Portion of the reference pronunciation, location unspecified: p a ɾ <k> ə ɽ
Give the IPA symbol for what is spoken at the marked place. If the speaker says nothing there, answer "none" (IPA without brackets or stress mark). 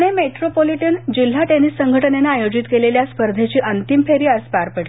p